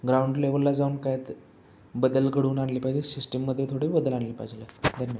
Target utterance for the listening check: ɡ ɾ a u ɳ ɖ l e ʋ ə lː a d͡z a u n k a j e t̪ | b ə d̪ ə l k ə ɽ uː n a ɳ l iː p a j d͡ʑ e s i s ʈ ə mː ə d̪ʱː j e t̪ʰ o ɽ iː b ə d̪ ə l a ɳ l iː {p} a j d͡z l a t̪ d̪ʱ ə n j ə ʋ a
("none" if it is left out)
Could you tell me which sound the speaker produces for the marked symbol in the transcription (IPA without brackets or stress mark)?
p